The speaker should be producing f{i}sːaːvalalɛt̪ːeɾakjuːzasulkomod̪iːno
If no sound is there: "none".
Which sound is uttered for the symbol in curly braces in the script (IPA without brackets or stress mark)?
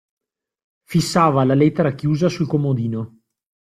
i